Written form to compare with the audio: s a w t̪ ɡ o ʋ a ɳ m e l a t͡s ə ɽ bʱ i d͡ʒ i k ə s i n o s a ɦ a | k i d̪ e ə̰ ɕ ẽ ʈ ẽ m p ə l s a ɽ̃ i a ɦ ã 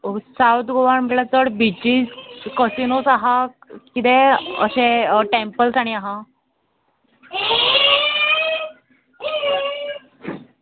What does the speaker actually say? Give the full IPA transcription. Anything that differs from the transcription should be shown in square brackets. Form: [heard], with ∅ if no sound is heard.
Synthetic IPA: s a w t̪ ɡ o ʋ a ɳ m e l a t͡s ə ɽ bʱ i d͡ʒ i k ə s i n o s a ɦ a | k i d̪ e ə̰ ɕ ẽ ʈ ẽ m p ə l s a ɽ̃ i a ɦ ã